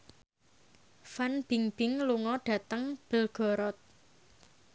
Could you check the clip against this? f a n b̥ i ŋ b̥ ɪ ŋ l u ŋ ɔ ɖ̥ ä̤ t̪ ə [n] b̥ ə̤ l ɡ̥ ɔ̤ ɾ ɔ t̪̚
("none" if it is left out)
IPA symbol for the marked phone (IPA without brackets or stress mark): ŋ